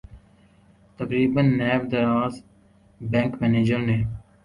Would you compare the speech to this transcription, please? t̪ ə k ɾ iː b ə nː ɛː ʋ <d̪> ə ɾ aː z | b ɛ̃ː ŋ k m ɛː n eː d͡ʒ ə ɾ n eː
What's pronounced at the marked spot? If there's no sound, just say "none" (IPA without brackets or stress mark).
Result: d̪